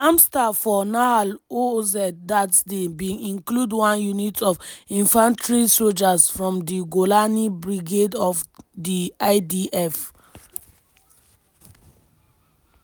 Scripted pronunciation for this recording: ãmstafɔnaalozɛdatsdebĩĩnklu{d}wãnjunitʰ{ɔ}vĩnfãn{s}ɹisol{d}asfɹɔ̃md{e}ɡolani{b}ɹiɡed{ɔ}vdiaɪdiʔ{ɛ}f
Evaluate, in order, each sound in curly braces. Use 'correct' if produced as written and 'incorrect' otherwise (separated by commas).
correct, correct, incorrect, incorrect, incorrect, correct, correct, correct